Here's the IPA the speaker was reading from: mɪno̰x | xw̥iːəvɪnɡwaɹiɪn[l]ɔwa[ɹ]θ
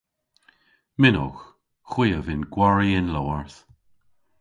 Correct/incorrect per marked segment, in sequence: correct, correct

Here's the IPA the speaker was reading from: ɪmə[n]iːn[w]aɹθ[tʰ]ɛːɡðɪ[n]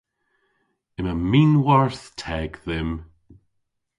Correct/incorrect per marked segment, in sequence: incorrect: m, correct, correct, incorrect: m

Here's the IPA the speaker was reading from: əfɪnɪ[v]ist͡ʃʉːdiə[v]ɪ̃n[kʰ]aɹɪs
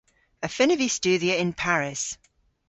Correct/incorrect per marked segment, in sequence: correct, incorrect: none, incorrect: pʰ

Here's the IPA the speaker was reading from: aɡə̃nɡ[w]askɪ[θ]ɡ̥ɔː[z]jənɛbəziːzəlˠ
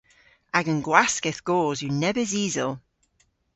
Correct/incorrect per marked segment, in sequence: correct, correct, correct

